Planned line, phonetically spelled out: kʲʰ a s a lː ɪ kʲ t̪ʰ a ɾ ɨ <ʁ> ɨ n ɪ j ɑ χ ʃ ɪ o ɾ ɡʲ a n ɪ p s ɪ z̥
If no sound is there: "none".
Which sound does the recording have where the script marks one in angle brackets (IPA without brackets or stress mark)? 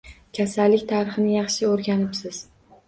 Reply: χ